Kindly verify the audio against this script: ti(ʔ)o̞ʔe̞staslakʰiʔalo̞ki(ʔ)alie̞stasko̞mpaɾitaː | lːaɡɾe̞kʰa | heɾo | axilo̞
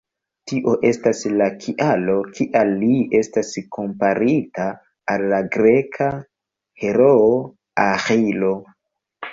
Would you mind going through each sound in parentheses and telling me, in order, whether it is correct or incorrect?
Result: correct, correct

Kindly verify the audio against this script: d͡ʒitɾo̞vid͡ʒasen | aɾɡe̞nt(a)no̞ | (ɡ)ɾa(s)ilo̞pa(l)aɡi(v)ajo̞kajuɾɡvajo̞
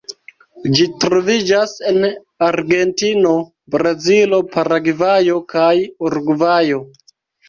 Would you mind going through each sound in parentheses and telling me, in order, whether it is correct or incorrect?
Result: incorrect: i, incorrect: b, incorrect: z, incorrect: ɾ, correct

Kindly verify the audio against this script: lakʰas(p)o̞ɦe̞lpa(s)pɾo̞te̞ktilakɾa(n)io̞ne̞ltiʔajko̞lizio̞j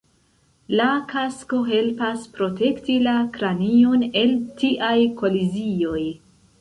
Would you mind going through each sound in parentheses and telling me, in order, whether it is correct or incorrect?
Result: incorrect: k, correct, correct

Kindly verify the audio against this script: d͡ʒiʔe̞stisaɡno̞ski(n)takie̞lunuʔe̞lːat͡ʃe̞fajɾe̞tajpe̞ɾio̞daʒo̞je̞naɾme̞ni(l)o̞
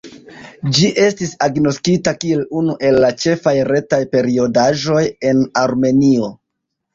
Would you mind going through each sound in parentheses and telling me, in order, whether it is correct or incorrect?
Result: incorrect: none, incorrect: none

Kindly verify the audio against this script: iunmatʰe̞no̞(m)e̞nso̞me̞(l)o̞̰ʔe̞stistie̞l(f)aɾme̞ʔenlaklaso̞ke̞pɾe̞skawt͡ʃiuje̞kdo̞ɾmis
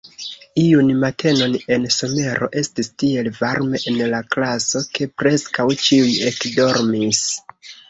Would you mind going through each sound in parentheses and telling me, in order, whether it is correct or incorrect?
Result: incorrect: n, incorrect: ɾ, incorrect: v

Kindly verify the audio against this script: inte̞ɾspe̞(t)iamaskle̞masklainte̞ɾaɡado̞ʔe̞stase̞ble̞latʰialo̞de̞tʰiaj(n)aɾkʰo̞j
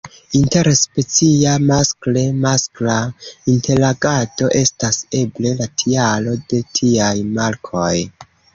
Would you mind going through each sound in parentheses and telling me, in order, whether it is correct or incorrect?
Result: incorrect: t͡s, incorrect: m

